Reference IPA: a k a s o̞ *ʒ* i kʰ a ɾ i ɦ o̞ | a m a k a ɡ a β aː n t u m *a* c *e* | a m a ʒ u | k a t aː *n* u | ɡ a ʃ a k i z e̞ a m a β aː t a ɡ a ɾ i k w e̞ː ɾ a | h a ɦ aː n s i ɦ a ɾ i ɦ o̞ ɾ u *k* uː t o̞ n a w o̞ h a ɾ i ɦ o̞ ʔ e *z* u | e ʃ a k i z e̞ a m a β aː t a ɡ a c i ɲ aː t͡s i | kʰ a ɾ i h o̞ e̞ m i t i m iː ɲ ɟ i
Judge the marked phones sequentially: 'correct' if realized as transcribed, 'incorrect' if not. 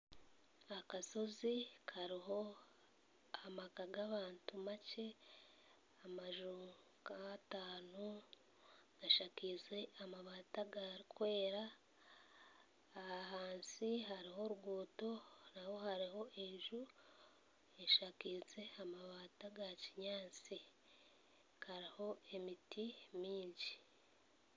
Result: incorrect, correct, correct, correct, incorrect, incorrect

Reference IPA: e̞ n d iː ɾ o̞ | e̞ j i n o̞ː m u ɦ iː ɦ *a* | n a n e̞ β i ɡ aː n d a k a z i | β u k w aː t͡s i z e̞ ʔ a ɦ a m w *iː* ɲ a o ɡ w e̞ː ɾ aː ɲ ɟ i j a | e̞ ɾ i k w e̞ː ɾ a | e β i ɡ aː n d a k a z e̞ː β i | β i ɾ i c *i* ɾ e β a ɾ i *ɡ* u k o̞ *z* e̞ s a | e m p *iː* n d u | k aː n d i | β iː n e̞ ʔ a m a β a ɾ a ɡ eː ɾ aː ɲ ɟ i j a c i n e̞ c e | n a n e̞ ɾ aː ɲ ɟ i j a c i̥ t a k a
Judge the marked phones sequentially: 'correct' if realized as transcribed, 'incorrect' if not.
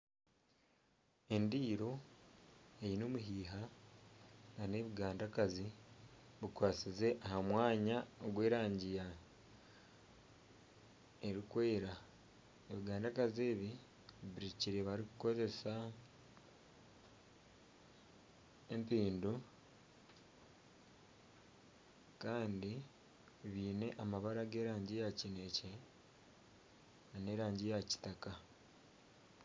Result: correct, incorrect, correct, incorrect, correct, correct

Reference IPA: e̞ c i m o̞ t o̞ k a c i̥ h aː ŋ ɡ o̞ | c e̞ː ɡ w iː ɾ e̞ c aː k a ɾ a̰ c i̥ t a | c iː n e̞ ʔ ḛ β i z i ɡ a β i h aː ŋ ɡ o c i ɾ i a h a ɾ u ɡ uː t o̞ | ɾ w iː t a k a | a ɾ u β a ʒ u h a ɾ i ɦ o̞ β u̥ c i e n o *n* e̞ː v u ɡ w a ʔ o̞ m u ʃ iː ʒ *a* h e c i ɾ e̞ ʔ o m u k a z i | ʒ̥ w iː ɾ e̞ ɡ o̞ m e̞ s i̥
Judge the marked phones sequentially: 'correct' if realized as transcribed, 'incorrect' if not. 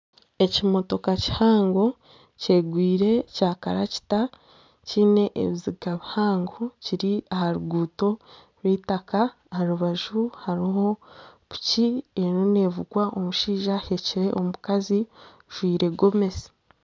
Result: correct, correct

